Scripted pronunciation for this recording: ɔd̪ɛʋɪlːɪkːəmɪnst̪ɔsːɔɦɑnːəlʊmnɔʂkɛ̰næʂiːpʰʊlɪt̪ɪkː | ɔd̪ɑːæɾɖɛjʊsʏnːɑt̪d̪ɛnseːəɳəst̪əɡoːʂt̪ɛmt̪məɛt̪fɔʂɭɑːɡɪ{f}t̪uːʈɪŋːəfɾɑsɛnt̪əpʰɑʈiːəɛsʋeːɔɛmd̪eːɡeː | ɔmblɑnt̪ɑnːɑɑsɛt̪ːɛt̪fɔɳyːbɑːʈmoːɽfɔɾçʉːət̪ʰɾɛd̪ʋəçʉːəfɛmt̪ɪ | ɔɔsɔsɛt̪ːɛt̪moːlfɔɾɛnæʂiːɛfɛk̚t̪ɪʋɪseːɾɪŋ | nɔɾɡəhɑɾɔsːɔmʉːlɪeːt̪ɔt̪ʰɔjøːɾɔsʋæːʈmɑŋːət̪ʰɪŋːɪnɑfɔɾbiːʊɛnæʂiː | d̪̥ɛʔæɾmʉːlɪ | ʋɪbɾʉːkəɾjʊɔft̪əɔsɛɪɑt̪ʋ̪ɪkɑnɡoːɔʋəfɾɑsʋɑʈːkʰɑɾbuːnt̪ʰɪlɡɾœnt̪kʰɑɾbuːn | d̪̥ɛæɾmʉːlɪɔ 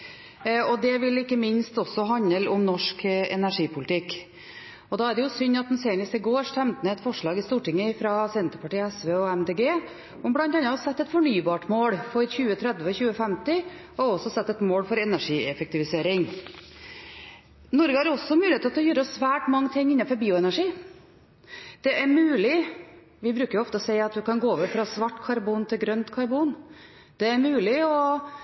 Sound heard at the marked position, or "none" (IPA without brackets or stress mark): s